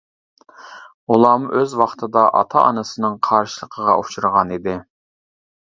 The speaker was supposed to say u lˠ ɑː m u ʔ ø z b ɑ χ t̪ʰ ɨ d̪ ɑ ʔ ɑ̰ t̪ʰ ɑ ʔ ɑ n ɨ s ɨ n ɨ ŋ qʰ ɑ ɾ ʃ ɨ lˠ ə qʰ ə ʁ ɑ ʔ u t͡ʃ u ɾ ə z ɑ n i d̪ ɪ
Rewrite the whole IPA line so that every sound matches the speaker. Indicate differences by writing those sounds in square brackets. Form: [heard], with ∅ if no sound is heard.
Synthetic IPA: u lˠ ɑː m u ʔ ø z [w] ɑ χ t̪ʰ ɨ d̪ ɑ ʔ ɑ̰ t̪ʰ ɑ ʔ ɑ n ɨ s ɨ n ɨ ŋ qʰ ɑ ɾ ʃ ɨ lˠ ə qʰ ə ʁ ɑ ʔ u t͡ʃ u ɾ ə [ʁ] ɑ n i d̪ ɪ